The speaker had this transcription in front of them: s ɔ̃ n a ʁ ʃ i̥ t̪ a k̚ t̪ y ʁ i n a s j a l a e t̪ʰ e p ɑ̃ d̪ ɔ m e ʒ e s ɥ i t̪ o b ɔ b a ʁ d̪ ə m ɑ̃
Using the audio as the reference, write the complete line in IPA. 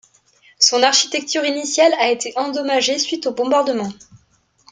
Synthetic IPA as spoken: s ɔ̃ n a ʁ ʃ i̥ t̪ ɛ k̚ t̪ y ʁ i n i s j a l a e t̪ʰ e ʔ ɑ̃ d̪ ɔ m a ʒ e s ɥ i t̪ o b ɔ̃ b a ʁ d̪ ə m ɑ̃